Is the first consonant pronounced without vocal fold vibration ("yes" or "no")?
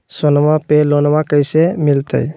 yes